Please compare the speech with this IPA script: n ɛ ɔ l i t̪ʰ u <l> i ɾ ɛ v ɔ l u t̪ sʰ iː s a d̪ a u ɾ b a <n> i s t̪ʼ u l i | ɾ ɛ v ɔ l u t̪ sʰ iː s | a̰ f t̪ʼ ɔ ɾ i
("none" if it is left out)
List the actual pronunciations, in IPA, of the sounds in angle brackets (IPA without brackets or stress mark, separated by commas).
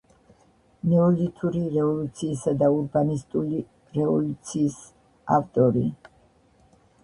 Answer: ɾ, n